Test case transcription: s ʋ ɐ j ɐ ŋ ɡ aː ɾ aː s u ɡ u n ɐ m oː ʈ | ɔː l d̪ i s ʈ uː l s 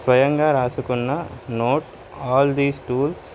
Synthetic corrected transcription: s ʋ ɐ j ɐ ŋ ɡ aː ɾ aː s u k u nː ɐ n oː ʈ | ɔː l d̪ iː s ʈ uː l s